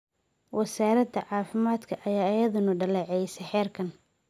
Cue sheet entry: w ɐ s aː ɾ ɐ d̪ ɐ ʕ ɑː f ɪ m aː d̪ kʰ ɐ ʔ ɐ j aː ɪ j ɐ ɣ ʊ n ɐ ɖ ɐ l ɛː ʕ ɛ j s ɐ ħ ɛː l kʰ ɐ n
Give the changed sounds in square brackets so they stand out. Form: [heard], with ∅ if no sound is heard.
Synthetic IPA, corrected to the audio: w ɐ s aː ɾ ɐ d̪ ɐ ʕ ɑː f ɪ m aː d̪ kʰ ɐ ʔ ɐ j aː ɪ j ɐ [ð] ʊ n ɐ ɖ ɐ l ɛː ʕ ɛ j s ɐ ħ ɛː [r] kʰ ɐ n